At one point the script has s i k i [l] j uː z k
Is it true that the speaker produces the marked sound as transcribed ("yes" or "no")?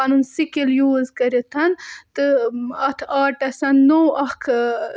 yes